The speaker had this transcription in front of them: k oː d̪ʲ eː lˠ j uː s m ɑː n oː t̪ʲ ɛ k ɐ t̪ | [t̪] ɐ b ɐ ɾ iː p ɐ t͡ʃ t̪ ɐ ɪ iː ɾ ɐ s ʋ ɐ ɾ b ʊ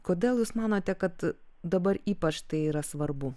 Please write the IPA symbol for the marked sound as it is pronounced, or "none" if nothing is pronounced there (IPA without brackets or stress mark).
d̪